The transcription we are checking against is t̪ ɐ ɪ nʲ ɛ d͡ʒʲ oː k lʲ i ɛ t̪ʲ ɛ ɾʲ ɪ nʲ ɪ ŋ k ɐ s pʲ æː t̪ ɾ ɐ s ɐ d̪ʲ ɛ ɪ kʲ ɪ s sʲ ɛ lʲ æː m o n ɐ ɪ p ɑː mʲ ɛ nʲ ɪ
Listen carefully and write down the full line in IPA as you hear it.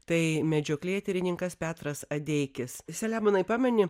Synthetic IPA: t̪ ɐ ɪ mʲ ɛ d͡ʒʲ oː k lʲ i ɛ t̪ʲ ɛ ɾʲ ɪ nʲ ɪ ŋ k ɐ s pʲ æː t̪ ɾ ɐ s ɐ d̪ʲ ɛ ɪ kʲ ɪ s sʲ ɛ lʲ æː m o n ɐ ɪ p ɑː mʲ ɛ nʲ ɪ